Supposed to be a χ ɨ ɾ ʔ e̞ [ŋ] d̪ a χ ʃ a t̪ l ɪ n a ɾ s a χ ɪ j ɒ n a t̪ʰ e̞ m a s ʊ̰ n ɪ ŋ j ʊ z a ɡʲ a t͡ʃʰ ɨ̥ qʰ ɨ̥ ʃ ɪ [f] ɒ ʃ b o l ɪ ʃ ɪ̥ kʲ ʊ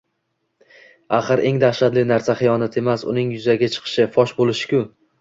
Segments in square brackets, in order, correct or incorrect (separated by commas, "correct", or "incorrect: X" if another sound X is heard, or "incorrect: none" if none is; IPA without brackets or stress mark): correct, correct